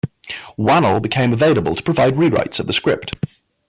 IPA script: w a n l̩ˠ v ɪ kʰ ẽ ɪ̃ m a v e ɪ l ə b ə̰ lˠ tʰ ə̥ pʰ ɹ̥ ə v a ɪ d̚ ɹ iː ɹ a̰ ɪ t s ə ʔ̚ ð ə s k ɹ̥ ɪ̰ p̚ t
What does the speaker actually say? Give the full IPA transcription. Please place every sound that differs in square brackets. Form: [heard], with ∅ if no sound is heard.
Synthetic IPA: w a n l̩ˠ [b] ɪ kʰ ẽ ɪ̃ m [ə] v e ɪ l ə b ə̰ lˠ tʰ ə̥ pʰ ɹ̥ ə v a ɪ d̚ ɹ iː ɹ a̰ ɪ t s ə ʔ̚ ð ə s k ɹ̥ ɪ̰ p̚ t